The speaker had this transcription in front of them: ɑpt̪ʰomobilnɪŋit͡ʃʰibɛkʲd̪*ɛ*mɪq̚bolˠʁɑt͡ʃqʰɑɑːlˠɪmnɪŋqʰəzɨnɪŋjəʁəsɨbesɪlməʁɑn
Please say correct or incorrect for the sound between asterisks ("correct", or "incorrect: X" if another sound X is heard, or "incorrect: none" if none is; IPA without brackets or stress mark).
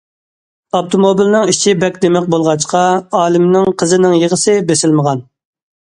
incorrect: e